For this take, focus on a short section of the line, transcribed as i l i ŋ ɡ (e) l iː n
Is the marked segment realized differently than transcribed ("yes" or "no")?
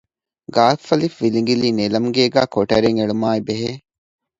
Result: yes